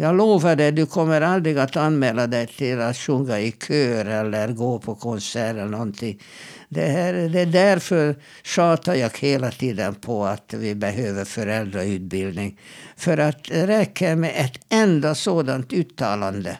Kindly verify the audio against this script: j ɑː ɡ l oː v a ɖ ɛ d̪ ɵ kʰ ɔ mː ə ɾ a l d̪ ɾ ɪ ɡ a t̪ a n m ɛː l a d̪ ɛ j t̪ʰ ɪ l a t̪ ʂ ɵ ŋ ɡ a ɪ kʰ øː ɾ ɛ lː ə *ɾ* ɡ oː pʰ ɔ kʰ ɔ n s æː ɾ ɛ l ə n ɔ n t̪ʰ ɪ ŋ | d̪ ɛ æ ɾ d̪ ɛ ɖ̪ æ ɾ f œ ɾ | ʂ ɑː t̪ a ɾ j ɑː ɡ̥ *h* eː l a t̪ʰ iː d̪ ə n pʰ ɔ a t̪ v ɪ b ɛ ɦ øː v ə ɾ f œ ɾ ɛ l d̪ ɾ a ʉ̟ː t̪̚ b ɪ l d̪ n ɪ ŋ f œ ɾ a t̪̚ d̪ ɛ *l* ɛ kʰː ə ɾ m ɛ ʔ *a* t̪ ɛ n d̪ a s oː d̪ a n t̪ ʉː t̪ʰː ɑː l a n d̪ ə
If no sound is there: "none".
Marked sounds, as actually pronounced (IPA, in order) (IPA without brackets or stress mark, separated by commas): ɾ, h, ɾ, ɛ